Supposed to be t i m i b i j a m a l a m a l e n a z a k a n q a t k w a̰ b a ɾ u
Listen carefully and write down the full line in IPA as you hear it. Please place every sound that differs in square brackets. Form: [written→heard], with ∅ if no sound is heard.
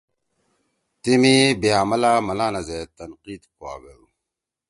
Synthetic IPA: t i m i b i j a m a l a m a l [e→a] n a z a [k→t] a n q [a→i] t k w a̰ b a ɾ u